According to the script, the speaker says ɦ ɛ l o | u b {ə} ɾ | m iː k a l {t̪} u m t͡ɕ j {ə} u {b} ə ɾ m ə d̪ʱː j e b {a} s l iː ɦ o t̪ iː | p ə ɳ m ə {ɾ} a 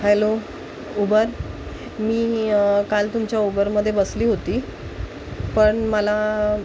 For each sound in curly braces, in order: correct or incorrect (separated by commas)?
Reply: correct, correct, incorrect, correct, incorrect, incorrect